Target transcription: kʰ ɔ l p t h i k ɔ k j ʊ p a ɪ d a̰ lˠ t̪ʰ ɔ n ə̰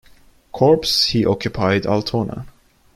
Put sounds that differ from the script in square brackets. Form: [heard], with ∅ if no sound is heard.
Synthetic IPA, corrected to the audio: kʰ ɔ [ɹ] p [s] h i [ʔ] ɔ k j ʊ [pʰ] a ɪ d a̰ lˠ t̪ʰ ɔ n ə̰